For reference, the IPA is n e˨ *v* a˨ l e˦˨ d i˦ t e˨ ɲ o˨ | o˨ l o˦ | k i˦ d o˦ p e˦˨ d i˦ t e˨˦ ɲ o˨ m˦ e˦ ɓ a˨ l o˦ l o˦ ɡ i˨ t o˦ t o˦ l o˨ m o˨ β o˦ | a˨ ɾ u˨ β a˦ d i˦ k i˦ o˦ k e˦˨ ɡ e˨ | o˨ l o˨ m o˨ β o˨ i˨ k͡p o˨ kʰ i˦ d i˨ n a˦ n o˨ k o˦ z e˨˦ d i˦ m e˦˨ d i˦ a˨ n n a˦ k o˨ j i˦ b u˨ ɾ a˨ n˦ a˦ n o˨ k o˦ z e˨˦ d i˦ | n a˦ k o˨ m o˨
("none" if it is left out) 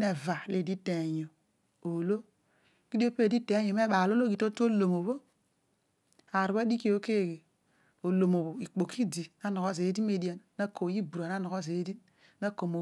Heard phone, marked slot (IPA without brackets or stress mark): v